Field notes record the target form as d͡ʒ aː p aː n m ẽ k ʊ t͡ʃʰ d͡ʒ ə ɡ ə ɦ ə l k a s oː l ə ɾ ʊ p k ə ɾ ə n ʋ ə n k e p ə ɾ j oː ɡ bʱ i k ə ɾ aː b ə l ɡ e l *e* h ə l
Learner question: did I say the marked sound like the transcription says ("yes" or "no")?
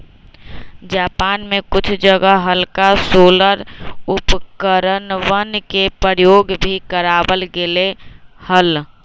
yes